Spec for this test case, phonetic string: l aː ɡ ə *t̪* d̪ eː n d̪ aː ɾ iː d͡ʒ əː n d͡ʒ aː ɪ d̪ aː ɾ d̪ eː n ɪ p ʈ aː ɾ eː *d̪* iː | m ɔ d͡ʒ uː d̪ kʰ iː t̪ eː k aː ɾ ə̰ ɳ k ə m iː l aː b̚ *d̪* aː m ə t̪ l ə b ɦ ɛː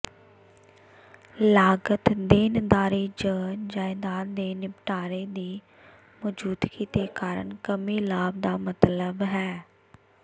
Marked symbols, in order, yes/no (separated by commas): yes, yes, yes